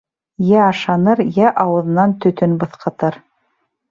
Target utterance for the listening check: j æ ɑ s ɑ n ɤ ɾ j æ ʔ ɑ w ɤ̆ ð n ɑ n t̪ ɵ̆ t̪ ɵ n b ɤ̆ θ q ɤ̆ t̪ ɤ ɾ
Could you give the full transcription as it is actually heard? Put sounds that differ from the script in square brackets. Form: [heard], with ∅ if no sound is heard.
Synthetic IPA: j æ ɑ [ʃ] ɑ n ɤ ɾ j æ ʔ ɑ w ɤ̆ ð n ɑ n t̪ ɵ̆ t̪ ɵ n b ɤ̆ θ q ɤ̆ t̪ ɤ ɾ